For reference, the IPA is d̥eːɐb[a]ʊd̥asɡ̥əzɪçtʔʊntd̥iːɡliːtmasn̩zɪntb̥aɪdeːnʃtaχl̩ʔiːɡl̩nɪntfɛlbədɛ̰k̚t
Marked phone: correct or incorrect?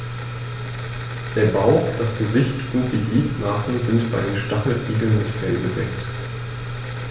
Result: correct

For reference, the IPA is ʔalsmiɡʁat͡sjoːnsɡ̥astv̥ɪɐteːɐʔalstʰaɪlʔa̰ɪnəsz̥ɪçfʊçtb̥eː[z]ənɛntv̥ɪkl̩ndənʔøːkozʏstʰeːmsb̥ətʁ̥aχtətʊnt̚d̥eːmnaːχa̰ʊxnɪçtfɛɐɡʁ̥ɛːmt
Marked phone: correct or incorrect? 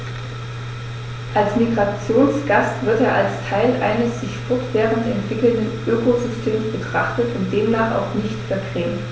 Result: incorrect: ʁ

